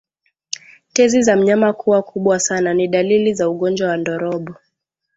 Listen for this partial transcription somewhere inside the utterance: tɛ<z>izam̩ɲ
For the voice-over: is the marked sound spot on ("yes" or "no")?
yes